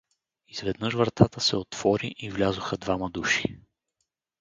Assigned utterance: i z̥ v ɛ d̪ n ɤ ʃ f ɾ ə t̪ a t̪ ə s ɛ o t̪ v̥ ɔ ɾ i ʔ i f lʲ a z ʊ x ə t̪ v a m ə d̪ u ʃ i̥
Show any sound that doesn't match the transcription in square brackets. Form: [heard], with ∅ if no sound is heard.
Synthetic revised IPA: i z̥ v ɛ d̪ n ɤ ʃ [v] ɾ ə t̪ a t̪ ə s ɛ o t̪ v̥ ɔ ɾ i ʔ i [v] lʲ a z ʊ x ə [d̪] v a m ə d̪ u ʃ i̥